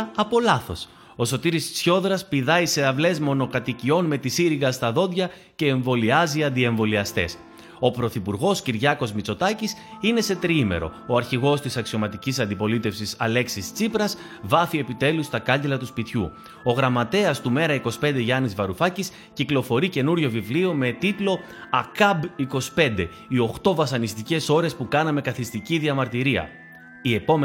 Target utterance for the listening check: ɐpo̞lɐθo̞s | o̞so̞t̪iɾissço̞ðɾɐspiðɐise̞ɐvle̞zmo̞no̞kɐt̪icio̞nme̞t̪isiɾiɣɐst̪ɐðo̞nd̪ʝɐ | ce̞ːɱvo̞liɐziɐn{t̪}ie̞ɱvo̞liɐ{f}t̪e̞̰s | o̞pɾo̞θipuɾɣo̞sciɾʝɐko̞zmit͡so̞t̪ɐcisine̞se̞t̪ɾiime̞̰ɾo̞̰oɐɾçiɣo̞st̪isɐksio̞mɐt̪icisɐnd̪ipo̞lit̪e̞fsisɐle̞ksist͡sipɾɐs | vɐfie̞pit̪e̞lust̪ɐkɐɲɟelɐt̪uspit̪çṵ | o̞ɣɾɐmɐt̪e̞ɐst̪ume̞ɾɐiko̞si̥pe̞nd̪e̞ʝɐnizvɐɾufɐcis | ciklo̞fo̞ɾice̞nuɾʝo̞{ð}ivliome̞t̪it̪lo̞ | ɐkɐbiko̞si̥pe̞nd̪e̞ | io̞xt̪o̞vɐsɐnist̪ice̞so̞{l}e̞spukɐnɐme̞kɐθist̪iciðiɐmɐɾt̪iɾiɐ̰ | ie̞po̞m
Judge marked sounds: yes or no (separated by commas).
no, no, no, no